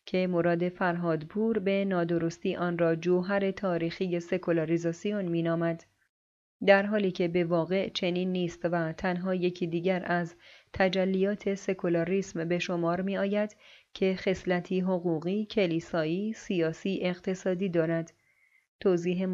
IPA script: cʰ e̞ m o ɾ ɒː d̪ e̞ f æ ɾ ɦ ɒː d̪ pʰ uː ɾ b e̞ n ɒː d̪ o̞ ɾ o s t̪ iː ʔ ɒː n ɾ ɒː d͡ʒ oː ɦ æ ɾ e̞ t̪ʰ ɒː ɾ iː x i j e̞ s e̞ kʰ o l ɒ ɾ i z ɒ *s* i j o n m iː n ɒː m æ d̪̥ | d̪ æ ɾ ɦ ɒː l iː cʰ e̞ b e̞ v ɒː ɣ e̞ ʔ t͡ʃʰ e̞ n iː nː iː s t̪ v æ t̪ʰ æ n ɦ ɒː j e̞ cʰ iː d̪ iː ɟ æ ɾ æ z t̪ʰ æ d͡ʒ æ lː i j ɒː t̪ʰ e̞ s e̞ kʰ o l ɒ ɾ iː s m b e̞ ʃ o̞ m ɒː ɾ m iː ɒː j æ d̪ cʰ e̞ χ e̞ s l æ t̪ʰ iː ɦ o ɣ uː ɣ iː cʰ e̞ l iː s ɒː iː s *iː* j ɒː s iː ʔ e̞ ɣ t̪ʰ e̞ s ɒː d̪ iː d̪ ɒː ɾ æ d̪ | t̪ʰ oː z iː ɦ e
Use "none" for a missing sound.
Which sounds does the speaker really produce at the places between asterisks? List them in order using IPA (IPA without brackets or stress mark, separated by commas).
s, i